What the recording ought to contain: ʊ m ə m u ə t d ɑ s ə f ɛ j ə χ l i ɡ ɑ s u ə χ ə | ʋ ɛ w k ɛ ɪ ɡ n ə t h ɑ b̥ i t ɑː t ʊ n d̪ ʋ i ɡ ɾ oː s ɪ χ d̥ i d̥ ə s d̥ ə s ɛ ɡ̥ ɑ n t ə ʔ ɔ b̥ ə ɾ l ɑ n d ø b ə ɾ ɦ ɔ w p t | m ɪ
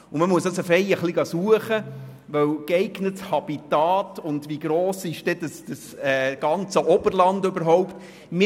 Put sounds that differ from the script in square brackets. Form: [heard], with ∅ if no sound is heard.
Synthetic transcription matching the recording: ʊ m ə m u ə [s] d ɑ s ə f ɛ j ə χ l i ɡ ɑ s u ə χ ə | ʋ [œ] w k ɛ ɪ ɡ n ə t h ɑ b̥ i t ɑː t ʊ n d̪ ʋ i ɡ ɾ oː s ɪ [ʃ] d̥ [ɛ] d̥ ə s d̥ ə s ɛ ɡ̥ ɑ n [t͡s] ə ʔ ɔ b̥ ə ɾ l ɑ n d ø b ə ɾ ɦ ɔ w p t | m ɪ